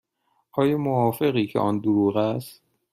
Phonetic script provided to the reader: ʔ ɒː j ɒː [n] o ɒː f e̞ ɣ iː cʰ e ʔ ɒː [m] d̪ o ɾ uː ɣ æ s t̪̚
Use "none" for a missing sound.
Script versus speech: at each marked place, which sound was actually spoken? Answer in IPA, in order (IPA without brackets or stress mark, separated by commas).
m, n